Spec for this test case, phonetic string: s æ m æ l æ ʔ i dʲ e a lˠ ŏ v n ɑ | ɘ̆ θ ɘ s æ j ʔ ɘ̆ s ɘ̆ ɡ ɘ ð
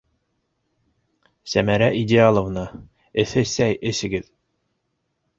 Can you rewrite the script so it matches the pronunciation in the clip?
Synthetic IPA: s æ m æ ɾ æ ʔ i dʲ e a lˠ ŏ v n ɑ | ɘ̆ θ ɘ s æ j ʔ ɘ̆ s ɘ̆ ɡ ɘ ð